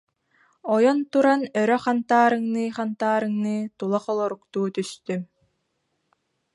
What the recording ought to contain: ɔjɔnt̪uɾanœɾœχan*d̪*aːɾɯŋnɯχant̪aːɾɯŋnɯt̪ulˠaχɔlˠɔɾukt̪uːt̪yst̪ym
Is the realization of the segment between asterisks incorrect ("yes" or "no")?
yes